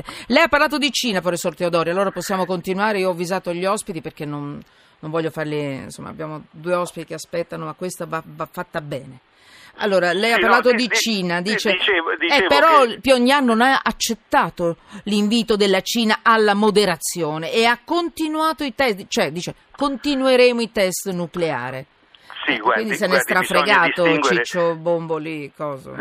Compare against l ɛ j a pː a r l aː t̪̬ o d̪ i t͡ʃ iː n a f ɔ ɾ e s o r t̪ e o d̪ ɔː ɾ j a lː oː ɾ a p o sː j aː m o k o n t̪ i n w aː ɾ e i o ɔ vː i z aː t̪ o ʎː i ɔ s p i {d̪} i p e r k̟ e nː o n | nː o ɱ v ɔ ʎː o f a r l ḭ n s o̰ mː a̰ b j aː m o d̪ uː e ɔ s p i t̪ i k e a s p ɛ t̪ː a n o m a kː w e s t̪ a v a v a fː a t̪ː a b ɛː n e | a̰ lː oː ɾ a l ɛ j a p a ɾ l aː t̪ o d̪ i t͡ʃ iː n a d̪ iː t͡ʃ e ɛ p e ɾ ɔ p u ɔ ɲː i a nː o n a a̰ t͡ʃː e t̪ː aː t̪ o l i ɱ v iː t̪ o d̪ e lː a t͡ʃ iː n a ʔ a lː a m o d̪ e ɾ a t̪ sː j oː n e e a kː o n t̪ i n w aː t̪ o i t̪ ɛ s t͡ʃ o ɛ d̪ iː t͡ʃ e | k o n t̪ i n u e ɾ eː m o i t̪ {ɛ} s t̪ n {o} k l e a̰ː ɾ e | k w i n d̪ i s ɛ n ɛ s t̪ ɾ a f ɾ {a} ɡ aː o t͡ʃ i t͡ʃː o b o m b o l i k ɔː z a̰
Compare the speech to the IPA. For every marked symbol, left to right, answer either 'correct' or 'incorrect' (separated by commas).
incorrect, correct, incorrect, incorrect